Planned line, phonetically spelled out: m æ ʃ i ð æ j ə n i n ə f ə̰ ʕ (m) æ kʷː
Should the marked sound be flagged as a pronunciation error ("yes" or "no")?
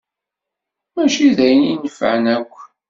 yes